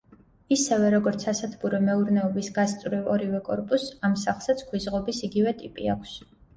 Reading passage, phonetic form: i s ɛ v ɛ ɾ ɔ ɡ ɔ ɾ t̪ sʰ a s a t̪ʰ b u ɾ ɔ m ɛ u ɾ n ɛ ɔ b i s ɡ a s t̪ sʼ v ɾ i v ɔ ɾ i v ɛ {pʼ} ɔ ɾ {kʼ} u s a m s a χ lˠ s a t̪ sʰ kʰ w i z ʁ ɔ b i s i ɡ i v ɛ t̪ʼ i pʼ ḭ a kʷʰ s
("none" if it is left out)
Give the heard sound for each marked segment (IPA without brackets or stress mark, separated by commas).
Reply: kʼ, pʼ